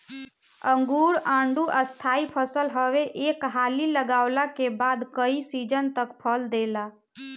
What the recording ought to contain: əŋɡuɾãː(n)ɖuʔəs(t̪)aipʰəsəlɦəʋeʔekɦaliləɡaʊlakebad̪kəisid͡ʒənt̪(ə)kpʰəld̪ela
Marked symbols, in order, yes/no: no, no, yes

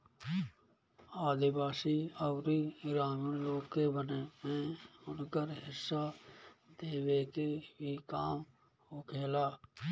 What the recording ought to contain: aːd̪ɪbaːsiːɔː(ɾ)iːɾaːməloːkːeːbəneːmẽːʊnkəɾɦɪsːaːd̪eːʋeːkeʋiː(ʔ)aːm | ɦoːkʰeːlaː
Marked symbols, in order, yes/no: yes, no

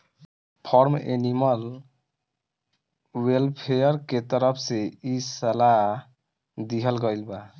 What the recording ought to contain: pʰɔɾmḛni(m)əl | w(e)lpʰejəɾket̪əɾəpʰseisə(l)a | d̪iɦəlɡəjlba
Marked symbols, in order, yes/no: yes, yes, yes

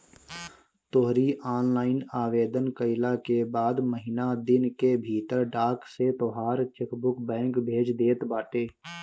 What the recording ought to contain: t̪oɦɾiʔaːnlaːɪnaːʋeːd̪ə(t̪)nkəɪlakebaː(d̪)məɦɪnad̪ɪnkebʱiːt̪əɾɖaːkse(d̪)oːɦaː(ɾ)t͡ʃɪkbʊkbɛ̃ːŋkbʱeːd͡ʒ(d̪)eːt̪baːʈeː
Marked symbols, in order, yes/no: no, yes, no, yes, yes

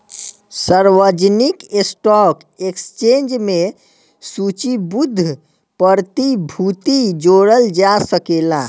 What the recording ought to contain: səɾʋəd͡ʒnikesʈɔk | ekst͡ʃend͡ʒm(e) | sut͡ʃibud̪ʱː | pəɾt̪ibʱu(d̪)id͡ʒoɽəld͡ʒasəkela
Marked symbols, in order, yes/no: yes, no

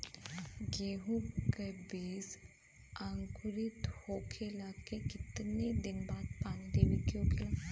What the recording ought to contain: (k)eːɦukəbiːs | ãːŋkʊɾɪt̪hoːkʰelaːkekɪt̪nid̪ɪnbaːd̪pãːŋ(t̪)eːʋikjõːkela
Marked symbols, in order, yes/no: no, no

